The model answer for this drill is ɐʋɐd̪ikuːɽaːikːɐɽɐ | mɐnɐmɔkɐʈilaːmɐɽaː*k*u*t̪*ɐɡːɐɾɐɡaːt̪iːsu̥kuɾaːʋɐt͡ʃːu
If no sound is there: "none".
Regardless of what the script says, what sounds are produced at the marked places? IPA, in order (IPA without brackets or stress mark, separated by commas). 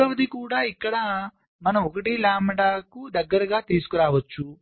k, d̪